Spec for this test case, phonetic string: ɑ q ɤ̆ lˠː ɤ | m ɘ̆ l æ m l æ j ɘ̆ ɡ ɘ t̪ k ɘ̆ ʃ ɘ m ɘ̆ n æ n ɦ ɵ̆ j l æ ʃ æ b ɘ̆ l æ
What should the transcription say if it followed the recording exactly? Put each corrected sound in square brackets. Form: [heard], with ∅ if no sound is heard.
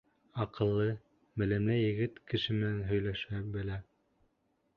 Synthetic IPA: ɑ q ɤ̆ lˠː ɤ | m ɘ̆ l æ m l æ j ɘ̆ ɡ ɘ t̪ k ɘ̆ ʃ ɘ m ɘ̆ n æ n ɦ ɵ̆ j l æ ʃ æ b ɘ̆ l æ

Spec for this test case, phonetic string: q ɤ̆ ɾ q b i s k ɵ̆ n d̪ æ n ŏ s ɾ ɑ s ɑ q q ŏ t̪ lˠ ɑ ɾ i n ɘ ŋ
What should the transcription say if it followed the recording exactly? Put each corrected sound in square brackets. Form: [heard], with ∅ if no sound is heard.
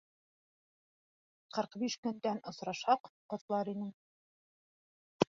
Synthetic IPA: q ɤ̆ ɾ q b i [ʃ] k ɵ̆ n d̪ æ n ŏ s ɾ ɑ [ʃ] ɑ q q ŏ t̪ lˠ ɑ ɾ i n ɘ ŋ

